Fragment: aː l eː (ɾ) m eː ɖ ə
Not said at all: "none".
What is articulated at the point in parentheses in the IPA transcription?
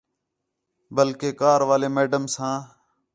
none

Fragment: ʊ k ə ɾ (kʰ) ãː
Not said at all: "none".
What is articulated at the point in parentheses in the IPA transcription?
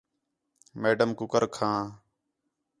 kʰ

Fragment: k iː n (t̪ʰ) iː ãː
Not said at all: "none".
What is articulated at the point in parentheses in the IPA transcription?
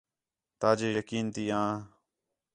t̪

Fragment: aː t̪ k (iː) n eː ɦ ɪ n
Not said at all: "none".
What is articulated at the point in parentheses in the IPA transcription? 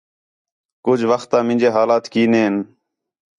iː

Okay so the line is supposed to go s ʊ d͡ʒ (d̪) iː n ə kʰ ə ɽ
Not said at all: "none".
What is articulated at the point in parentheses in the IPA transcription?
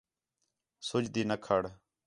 d̪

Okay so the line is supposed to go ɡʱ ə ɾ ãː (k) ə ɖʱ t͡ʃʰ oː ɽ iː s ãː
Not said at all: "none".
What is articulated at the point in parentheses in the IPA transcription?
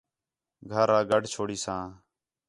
ɡ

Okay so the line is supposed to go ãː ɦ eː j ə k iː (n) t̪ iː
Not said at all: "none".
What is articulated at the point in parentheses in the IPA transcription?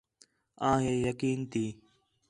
n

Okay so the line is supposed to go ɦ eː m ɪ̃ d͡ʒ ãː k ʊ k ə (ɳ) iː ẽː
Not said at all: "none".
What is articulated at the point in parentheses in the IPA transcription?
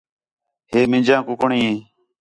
ɳ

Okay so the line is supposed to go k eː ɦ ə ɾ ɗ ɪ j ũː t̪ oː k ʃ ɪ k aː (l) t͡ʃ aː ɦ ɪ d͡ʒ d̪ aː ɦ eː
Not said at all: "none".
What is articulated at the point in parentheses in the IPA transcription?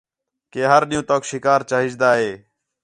ɾ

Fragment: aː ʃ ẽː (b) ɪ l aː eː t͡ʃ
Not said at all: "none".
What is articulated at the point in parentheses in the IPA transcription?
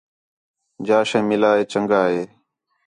m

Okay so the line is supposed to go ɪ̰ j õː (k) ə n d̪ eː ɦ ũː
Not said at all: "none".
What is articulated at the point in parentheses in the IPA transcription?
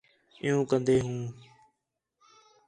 k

